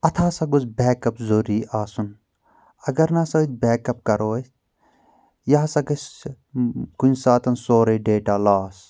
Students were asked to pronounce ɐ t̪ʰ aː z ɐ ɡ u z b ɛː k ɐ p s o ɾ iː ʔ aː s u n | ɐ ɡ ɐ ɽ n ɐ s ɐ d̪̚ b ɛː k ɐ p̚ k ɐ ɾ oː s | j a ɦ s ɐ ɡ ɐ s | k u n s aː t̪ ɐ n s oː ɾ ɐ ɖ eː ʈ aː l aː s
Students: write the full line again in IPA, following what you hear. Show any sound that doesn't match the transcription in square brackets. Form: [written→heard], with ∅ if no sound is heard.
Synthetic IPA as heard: ɐ t̪ʰ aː [z→s] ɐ ɡ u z b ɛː k ɐ p [s→z] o ɾ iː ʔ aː s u n | ɐ ɡ ɐ [ɽ→ɾ] n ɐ s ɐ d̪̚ b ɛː k ɐ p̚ k ɐ ɾ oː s | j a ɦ s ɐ ɡ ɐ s | k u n s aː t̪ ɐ n s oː ɾ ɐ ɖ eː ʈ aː l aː s